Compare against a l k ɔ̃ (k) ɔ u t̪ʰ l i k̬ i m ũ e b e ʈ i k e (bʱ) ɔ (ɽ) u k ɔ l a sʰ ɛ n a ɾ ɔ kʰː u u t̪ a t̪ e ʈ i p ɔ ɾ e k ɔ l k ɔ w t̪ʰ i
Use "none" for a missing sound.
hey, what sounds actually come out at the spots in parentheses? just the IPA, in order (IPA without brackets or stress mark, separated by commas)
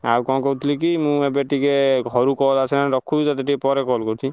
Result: k, ɡʱ, ɾ